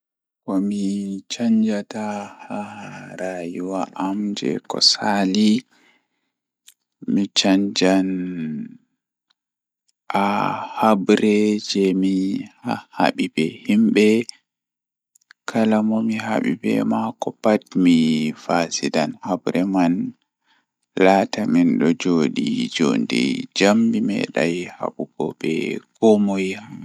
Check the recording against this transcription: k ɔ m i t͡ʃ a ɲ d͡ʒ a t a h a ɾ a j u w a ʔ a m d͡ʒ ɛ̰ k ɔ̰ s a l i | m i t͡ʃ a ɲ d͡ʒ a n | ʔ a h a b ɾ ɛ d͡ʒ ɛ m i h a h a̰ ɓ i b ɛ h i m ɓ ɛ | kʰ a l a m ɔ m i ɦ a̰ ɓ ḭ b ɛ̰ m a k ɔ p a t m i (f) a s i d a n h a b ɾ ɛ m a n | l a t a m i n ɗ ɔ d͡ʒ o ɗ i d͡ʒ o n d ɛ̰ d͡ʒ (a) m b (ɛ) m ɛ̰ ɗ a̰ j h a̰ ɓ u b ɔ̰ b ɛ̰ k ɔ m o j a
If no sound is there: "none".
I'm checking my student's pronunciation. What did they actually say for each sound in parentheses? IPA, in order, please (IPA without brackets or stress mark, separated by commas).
f, a, i